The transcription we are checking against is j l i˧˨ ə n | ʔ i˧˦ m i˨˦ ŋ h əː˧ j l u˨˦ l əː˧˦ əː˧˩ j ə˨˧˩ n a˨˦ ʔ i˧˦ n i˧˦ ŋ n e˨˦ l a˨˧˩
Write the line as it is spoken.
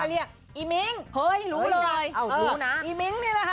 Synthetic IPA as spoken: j l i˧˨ ə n | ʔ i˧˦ m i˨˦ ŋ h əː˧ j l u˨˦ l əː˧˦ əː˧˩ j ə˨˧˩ n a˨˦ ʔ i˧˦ m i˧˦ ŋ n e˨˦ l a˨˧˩